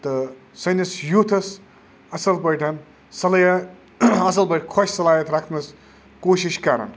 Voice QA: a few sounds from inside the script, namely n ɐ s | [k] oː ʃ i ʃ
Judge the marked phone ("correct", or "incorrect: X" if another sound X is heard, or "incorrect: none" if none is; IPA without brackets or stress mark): correct